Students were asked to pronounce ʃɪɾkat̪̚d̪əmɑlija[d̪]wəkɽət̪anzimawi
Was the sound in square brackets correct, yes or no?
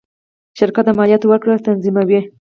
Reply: no